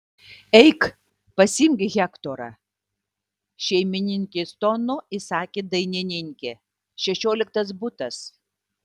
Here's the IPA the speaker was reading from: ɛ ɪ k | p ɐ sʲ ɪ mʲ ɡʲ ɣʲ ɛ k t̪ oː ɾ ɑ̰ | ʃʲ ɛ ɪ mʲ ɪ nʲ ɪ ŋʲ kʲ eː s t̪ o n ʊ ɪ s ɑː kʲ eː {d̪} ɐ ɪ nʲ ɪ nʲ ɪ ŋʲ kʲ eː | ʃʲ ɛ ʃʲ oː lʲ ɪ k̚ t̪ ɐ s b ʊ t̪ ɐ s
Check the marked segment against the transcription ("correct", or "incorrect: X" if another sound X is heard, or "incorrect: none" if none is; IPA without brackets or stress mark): correct